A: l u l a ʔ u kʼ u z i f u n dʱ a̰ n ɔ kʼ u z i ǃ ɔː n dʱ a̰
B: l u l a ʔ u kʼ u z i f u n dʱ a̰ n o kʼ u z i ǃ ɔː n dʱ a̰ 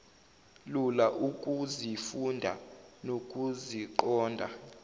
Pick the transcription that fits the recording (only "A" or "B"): B